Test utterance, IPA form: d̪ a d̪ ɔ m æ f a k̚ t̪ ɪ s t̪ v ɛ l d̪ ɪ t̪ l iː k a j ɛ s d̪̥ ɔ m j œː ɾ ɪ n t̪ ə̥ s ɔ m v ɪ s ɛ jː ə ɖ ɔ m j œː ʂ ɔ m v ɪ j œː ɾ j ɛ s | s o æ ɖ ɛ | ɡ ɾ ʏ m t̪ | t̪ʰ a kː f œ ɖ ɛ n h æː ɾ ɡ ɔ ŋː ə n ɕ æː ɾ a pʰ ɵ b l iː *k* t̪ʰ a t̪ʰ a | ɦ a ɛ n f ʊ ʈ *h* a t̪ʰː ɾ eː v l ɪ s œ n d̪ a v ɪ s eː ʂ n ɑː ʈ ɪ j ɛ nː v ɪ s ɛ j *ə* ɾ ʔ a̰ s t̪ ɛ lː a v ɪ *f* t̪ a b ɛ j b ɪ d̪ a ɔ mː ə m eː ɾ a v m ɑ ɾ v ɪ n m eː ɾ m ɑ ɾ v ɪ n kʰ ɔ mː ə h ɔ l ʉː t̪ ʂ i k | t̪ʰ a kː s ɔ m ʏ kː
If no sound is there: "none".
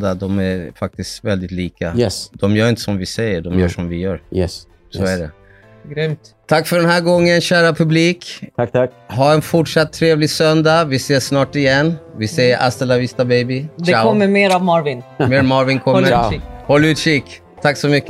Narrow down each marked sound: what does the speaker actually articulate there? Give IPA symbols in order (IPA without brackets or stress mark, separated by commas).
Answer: k, ʂ, ə, s